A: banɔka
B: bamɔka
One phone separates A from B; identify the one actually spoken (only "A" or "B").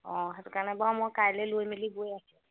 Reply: B